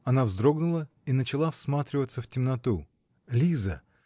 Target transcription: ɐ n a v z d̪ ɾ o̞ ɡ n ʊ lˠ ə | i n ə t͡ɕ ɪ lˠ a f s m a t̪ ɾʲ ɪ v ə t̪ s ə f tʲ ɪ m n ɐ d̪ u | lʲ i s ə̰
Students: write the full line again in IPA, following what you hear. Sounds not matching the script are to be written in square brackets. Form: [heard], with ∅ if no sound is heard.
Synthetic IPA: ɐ n a v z d̪ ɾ o̞ ɡ n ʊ lˠ ə | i n ə t͡ɕ ɪ lˠ a f s m a t̪ ɾʲ ɪ v ə t̪ s ə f tʲ ɪ m n ɐ [t̪] u | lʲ i [z] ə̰

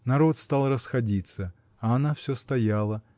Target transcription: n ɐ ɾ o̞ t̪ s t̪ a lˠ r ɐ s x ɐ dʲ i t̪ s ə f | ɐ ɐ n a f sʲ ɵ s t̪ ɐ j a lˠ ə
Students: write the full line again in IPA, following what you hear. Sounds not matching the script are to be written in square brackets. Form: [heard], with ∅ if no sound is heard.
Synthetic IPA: n ɐ ɾ o̞ t̪ s t̪ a lˠ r [ə] s x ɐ dʲ i t̪ s ə [∅] | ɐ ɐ n a f sʲ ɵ s t̪ ɐ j a lˠ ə

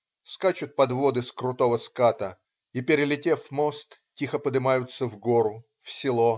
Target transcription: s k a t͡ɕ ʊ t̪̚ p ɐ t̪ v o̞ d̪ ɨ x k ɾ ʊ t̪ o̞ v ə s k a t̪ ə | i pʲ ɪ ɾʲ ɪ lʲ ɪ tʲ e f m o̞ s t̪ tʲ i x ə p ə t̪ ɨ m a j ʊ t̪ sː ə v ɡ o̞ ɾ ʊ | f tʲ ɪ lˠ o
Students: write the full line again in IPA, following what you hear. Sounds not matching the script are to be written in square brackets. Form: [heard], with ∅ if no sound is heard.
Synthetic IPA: s k a t͡ɕ ʊ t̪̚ p ɐ [d̪] v o̞ d̪ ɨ [s] k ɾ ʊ t̪ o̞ v ə s k a t̪ ə | i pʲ ɪ ɾʲ ɪ lʲ ɪ tʲ e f m o̞ s t̪ tʲ i x ə p ə [d̪] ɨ m a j ʊ t̪ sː ə v ɡ o̞ ɾ ʊ | f [sʲ] ɪ lˠ o

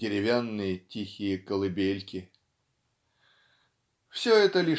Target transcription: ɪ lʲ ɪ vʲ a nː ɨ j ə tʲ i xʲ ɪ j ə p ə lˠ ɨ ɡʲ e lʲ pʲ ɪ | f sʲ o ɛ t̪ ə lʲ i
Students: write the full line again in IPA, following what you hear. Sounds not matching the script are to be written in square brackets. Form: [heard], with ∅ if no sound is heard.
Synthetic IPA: ɪ [ɾʲ] ɪ vʲ a nː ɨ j ə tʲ i xʲ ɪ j ə [k] ə lˠ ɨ [bʲ] e lʲ [kʲ] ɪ | f sʲ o ɛ t̪ ə lʲ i

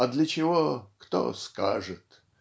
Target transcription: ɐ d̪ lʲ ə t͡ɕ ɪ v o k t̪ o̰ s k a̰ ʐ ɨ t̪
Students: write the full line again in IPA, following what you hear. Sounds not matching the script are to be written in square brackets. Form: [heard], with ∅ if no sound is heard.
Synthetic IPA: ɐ d̪ lʲ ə t͡ɕ ɪ v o k t̪ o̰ s k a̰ ʐ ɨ t̪

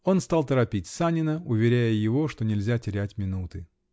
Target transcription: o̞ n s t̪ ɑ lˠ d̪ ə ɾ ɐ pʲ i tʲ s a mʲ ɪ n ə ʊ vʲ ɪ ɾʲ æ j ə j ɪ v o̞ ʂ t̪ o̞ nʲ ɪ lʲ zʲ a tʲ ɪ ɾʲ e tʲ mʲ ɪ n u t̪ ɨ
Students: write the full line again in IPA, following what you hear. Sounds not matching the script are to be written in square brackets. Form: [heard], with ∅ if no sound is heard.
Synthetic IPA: o̞ n s t̪ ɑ lˠ [t̪] ə ɾ ɐ pʲ i tʲ s a [nʲ] ɪ n ə ʊ vʲ ɪ ɾʲ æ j ə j ɪ v o̞ ʂ t̪ o̞ nʲ ɪ lʲ zʲ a tʲ ɪ ɾʲ [æ] tʲ mʲ ɪ n u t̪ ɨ

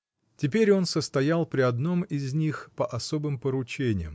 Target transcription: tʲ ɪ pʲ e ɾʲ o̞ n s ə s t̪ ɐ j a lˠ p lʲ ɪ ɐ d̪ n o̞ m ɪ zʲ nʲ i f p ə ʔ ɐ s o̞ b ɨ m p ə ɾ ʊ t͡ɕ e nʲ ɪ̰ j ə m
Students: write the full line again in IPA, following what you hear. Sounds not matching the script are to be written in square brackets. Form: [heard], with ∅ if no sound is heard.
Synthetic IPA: tʲ ɪ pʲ e ɾʲ o̞ n s ə s t̪ ɐ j a lˠ p [ɾʲ] ɪ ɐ d̪ n o̞ m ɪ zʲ nʲ i [x] p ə ʔ ɐ s o̞ b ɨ m p ə ɾ ʊ t͡ɕ e nʲ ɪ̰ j ə m

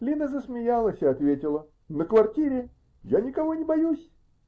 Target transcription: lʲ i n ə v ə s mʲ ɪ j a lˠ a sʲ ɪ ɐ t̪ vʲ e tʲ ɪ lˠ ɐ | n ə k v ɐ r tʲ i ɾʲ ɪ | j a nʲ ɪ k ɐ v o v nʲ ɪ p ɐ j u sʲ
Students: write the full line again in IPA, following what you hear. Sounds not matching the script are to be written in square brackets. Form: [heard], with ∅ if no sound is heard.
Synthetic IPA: lʲ i n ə [z] ə s mʲ ɪ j a lˠ [ə] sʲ ɪ ɐ t̪ vʲ e tʲ ɪ lˠ [ə] | n ə k v ɐ r tʲ i ɾʲ ɪ | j a nʲ ɪ k ɐ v o [∅] nʲ ɪ [b] ɐ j u sʲ

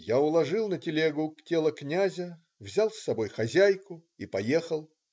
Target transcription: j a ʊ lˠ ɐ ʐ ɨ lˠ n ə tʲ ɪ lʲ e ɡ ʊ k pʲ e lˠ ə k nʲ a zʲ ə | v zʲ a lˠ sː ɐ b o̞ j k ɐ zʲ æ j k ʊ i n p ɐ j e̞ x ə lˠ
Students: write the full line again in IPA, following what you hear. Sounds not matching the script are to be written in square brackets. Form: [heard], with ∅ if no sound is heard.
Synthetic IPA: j a ʊ lˠ ɐ ʐ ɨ lˠ n ə tʲ ɪ lʲ e ɡ ʊ k [tʲ] e lˠ ə k nʲ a zʲ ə | v zʲ a lˠ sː ɐ b o̞ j [x] ɐ zʲ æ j k ʊ i [∅] p ɐ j e̞ x ə lˠ

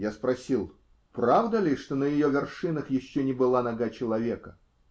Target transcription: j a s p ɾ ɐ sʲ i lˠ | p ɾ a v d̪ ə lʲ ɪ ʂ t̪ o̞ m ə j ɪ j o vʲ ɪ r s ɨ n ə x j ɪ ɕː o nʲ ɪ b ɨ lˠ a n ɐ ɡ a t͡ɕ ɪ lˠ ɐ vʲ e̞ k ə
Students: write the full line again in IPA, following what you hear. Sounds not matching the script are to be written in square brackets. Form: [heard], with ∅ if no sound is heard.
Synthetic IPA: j a s p ɾ ɐ sʲ i lˠ | p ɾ a v d̪ ə lʲ ɪ ʂ t̪ o̞ [n] ə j ɪ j o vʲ ɪ r [ʂ] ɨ n ə x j ɪ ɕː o nʲ ɪ b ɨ lˠ a n ɐ ɡ a t͡ɕ ɪ lˠ ɐ vʲ e̞ k ə

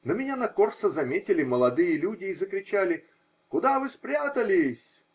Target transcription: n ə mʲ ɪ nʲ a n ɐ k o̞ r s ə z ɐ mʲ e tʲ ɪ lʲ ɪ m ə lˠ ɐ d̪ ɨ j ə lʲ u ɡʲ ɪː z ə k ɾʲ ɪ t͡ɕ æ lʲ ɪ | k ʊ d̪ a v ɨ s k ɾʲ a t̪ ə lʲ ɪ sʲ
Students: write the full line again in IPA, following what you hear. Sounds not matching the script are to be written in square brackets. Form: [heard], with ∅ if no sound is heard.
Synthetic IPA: n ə mʲ ɪ nʲ a n ɐ k o̞ r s ə z ɐ mʲ e tʲ ɪ lʲ ɪ m ə lˠ ɐ d̪ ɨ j ə lʲ u [dʲ] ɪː z ə k ɾʲ ɪ t͡ɕ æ lʲ ɪ | k ʊ d̪ a v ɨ s [p] ɾʲ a t̪ ə lʲ ɪ sʲ

